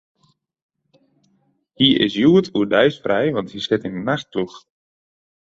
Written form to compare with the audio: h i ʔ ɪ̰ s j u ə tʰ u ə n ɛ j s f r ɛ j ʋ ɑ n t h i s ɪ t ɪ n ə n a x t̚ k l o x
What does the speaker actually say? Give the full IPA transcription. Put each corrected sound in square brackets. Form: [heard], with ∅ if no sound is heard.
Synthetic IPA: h i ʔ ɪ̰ s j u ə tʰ u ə [d] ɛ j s f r ɛ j ʋ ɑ n t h i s ɪ t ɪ n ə n a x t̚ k l [u] x